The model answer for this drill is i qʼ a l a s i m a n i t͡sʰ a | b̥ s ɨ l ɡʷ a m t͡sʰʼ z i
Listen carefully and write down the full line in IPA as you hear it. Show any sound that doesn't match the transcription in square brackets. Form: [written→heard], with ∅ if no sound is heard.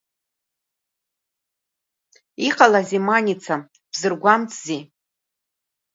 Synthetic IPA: i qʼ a l a [s→z] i m a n i t͡sʰ a | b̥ [s→z] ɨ [l→r] ɡʷ a m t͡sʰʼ z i